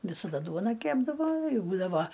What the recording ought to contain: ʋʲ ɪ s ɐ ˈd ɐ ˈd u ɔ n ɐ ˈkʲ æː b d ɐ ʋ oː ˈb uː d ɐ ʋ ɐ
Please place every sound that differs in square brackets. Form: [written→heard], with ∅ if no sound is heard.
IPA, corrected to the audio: ʋʲ ɪ s ɐ ˈd ɐ ˈd u ɔ n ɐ ˈkʲ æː b d ɐ ʋ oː ˈb uː d ɐ ʋ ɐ